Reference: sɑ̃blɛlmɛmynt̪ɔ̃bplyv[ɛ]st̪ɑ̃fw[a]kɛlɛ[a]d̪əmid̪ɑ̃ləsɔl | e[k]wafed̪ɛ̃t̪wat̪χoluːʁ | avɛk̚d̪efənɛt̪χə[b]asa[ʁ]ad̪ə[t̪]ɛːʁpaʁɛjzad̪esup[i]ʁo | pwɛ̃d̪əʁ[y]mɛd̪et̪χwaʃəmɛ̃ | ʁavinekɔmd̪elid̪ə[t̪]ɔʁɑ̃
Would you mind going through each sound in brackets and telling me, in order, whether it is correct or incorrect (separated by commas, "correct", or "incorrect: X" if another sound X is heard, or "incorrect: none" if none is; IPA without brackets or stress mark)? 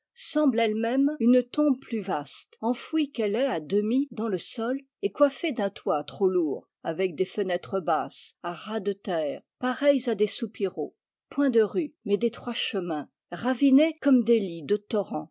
incorrect: a, incorrect: i, correct, correct, correct, correct, correct, correct, correct, correct